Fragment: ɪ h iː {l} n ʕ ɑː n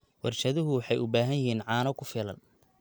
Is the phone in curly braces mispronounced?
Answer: yes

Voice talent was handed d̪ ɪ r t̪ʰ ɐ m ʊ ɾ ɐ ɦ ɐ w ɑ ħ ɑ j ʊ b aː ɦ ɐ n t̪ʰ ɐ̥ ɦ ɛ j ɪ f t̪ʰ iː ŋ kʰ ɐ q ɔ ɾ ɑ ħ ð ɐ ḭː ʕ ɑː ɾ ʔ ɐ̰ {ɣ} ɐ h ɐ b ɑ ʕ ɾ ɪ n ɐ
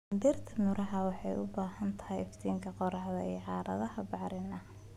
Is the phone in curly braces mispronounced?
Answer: yes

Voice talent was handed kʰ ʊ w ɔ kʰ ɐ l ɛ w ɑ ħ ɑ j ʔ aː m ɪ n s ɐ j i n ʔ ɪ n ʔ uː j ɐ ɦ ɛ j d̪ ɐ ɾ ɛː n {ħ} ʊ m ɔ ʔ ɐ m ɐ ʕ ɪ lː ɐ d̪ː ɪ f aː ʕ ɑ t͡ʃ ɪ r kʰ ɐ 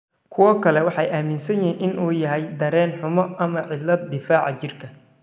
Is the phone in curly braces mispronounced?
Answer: no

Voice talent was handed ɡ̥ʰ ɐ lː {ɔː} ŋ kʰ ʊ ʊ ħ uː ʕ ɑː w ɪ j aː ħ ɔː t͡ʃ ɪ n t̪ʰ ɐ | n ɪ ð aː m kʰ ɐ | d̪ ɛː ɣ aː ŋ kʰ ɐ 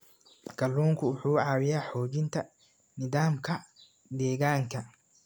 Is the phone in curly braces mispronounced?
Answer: yes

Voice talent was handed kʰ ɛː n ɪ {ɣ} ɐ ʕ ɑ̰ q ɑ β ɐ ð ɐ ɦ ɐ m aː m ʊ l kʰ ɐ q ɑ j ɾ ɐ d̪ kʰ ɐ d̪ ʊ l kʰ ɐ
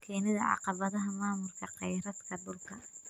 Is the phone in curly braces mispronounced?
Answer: yes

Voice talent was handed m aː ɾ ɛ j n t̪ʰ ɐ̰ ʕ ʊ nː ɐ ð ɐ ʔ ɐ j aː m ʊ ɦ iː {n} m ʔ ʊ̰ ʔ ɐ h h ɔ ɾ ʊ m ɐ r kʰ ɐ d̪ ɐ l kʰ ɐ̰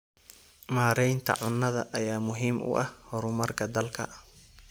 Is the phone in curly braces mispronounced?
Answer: yes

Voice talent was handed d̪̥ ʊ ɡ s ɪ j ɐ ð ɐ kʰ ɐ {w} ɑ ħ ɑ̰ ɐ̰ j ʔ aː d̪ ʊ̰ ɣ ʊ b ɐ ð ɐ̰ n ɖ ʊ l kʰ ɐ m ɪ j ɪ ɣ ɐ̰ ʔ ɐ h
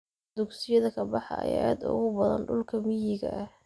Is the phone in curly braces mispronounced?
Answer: yes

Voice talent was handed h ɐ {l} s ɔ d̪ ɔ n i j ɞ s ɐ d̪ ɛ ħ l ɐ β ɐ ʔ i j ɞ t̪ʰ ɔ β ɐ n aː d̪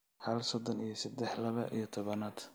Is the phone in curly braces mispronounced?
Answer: no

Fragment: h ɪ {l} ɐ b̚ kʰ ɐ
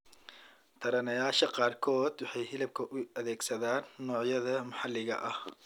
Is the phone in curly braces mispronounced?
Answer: no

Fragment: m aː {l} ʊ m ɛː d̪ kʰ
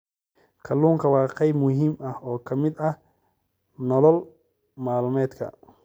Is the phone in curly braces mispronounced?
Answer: no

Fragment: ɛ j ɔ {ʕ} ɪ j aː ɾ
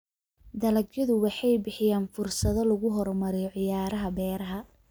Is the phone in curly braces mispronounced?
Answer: no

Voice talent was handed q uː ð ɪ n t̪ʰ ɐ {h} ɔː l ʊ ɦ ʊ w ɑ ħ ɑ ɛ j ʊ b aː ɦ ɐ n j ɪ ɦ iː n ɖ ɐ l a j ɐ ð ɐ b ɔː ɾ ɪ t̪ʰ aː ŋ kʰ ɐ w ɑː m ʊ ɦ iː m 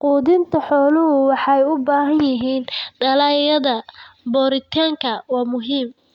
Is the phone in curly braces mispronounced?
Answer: yes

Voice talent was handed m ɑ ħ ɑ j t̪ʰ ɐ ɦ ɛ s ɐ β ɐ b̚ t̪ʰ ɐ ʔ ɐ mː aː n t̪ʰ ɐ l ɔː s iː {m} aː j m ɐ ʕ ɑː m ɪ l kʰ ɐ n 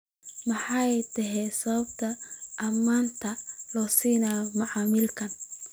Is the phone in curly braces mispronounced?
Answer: yes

